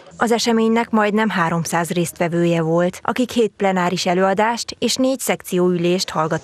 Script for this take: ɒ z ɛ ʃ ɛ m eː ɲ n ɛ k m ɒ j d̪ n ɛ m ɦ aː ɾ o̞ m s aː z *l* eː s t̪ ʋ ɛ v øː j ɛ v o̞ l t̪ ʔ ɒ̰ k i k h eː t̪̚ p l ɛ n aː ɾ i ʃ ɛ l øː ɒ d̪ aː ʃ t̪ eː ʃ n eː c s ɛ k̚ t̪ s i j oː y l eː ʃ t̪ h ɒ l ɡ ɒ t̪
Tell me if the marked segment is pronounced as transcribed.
no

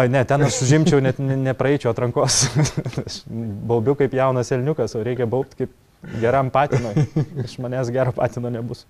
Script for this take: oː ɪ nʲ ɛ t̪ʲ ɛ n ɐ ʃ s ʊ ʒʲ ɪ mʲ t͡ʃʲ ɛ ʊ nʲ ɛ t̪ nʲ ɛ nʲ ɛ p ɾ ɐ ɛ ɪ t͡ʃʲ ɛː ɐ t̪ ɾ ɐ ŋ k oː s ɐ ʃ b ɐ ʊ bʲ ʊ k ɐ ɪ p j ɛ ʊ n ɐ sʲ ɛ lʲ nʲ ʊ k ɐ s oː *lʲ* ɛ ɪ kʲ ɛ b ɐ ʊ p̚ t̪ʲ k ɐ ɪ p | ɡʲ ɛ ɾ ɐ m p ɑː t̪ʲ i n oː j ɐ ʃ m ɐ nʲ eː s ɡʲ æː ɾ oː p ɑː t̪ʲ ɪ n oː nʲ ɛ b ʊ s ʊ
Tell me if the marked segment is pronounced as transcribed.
no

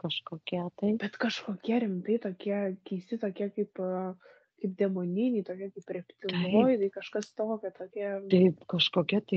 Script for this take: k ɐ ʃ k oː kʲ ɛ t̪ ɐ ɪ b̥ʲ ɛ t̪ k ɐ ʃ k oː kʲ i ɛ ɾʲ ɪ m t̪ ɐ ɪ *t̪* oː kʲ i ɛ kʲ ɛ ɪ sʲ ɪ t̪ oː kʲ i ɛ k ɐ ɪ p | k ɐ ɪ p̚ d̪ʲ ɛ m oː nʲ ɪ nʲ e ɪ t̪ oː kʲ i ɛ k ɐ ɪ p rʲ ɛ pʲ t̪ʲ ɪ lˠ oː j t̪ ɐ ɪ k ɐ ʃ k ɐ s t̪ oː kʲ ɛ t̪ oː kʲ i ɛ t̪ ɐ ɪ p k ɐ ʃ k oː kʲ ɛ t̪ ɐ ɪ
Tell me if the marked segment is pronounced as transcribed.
yes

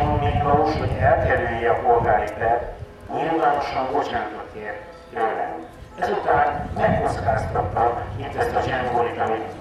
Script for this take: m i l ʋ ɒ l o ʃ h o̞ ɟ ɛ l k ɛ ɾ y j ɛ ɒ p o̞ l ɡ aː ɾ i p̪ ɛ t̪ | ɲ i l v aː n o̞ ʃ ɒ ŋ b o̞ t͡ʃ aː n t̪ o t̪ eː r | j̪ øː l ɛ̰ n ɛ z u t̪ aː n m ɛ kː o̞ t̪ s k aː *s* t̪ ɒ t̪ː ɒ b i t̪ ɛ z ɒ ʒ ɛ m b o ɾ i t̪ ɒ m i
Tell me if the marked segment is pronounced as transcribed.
yes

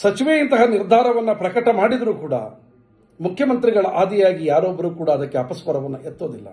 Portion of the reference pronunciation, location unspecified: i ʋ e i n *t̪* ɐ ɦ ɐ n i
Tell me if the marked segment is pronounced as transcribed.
yes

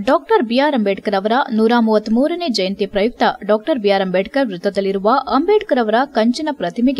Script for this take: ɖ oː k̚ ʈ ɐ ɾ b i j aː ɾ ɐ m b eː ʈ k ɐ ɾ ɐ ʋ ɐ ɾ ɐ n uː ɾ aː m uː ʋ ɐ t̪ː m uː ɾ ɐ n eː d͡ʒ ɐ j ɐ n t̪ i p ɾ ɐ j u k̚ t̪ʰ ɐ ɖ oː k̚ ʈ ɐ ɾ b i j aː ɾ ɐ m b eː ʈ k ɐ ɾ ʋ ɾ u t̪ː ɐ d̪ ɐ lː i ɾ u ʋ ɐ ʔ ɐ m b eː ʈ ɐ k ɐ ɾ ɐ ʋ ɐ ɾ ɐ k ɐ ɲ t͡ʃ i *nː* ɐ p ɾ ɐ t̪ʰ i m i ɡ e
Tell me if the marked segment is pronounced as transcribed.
no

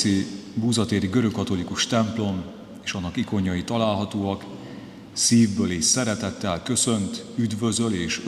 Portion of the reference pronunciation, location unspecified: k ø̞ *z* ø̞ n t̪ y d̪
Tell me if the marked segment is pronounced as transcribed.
no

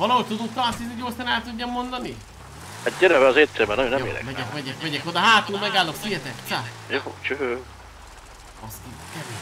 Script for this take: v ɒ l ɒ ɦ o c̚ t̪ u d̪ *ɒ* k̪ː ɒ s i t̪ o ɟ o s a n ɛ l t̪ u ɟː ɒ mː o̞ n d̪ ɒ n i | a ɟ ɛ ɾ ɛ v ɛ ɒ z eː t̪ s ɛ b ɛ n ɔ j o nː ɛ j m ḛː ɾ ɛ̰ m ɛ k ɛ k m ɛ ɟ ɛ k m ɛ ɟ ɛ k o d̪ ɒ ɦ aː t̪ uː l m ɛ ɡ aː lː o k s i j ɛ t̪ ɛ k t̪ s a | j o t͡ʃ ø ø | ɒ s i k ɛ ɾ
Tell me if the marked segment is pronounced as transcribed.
no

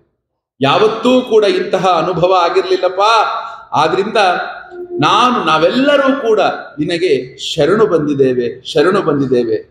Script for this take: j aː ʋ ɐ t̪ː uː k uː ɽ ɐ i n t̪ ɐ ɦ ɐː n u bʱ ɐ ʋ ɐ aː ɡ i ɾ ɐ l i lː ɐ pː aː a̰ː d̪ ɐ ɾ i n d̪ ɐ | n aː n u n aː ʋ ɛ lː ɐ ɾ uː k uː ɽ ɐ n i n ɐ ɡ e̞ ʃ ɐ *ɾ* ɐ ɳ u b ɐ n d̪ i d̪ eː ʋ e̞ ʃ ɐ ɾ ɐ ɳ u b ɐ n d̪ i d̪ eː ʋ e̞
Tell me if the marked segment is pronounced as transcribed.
yes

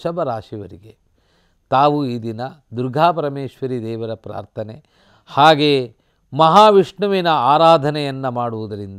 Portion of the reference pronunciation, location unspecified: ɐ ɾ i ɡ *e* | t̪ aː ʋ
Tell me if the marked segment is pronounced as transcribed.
yes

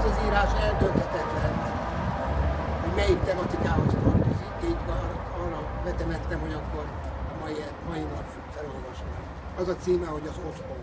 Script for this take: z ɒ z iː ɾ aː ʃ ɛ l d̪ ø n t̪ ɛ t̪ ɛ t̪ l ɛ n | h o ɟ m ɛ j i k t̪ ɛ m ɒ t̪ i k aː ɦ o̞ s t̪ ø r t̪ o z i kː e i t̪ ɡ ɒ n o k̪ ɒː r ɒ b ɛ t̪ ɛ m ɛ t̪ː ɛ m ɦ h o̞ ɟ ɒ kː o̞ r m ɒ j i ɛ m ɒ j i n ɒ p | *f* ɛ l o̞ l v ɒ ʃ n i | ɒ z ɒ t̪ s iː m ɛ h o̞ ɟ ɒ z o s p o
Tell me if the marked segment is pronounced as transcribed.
yes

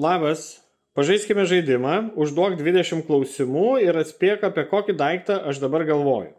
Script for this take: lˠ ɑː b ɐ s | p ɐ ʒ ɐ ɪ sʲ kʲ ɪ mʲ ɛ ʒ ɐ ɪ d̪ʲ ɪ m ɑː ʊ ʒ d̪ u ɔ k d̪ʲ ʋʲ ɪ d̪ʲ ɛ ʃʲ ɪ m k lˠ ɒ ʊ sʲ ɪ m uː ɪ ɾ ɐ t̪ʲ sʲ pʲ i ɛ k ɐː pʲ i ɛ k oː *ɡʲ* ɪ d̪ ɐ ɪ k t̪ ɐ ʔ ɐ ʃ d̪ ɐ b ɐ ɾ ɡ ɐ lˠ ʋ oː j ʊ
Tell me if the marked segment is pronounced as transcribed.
no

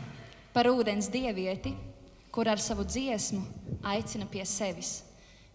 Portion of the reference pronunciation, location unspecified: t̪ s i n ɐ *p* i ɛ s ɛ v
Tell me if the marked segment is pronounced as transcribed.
yes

